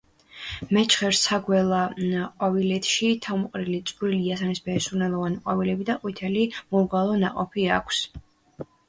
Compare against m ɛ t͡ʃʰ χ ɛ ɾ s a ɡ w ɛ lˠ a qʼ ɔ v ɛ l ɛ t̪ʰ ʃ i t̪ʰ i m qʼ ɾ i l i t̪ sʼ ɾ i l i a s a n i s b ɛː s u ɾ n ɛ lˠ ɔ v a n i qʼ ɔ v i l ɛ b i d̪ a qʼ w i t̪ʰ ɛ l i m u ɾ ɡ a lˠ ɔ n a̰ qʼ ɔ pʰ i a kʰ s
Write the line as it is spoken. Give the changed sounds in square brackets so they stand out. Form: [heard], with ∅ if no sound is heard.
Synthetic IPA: m ɛ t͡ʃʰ χ ɛ ɾ s a ɡ w ɛ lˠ a qʼ ɔ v [i] l ɛ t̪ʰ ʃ i t̪ʰ [a] m qʼ ɾ i l i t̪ sʼ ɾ i l i a s a n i s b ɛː s u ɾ n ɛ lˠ ɔ v a n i qʼ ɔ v i l ɛ b i d̪ a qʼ w i t̪ʰ ɛ l i m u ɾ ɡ a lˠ ɔ n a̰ qʼ ɔ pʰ i a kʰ s